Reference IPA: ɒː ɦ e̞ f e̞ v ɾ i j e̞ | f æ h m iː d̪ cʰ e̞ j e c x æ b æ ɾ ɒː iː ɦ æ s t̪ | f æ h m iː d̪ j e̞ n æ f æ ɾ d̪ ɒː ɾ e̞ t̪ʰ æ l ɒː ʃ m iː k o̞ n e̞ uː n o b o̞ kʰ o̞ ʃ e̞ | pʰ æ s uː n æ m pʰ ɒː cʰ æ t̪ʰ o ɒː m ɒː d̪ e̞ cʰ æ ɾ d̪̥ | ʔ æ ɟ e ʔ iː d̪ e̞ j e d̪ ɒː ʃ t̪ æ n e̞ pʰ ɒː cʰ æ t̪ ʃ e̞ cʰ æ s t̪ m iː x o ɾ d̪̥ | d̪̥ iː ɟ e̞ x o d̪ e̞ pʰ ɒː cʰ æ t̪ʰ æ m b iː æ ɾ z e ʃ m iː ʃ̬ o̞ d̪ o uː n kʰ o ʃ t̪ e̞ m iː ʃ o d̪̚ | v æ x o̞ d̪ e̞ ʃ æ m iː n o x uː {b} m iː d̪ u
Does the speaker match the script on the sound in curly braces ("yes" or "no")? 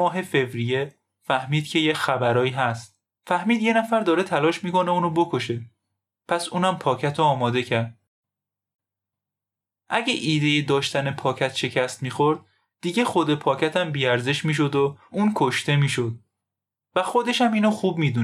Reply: yes